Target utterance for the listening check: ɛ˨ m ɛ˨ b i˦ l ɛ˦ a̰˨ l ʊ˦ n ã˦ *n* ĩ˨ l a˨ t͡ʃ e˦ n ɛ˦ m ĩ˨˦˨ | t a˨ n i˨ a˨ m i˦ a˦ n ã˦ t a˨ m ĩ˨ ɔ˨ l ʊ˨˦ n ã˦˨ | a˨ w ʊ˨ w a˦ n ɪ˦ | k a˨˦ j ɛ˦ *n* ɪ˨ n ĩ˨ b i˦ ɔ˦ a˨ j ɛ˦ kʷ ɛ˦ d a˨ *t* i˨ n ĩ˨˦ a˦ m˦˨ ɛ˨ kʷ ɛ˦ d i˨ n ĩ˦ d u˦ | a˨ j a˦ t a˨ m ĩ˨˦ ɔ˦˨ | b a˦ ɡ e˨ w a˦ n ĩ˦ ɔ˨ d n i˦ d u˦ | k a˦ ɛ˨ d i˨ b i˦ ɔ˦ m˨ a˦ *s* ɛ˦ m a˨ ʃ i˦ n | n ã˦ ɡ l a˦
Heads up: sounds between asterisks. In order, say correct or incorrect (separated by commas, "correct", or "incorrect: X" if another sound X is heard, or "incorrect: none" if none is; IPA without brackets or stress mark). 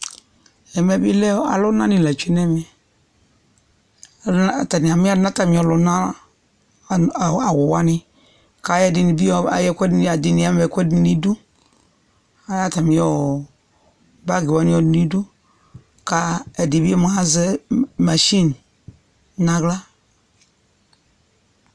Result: correct, incorrect: d, incorrect: d, incorrect: z